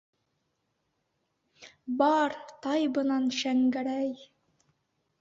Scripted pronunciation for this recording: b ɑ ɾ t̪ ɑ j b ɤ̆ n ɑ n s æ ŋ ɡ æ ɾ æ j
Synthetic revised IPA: b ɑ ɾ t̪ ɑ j b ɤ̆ n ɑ n ʃ æ ŋ ɡ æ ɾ æ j